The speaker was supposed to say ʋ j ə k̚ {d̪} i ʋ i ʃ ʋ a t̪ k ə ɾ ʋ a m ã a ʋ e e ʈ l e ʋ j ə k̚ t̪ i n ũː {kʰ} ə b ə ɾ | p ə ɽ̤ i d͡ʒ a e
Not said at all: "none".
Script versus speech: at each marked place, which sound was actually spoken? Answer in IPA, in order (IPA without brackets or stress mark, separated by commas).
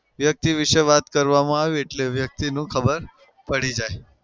t̪, kʰ